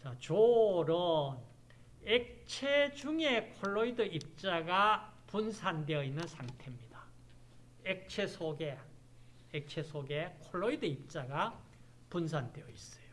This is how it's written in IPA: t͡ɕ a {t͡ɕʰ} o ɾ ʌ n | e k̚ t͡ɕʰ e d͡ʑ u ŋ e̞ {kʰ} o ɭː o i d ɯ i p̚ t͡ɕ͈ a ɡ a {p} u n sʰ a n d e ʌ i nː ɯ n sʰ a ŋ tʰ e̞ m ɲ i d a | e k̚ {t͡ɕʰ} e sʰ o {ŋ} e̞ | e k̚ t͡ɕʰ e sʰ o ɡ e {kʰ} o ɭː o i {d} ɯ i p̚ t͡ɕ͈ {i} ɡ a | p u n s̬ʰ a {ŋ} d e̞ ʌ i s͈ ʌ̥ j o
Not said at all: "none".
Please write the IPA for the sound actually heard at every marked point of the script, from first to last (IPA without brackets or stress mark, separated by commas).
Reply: t͡ɕ, kʰ, p, t͡ɕʰ, ɡ, kʰ, d, a, n